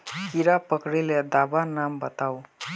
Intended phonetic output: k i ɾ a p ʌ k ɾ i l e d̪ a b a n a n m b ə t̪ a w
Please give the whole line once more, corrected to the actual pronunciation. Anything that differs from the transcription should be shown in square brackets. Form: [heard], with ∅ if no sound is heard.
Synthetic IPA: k i ɾ a p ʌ k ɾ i l e d̪ a b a n a [∅] m b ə t̪ a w